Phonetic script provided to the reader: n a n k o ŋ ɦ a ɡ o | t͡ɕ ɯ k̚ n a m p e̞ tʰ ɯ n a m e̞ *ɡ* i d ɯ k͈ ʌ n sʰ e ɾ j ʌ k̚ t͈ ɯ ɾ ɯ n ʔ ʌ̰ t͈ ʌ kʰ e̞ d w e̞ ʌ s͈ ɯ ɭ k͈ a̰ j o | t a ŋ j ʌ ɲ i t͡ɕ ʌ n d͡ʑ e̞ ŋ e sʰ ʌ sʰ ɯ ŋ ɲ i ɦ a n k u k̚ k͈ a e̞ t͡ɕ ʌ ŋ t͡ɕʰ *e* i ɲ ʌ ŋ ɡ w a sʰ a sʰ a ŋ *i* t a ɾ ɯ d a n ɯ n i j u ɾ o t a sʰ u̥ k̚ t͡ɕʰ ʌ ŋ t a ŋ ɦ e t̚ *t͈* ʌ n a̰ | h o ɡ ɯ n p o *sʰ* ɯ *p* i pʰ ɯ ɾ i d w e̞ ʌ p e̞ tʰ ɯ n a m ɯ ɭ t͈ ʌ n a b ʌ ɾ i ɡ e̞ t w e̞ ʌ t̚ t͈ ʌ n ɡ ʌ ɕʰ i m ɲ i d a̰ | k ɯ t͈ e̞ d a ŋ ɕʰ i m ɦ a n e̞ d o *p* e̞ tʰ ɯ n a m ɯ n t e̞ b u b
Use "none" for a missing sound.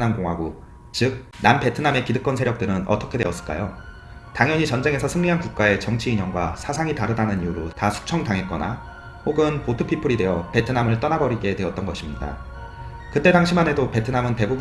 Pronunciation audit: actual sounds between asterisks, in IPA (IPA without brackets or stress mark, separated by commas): k, i, i, k͈, tʰ, pʰ, p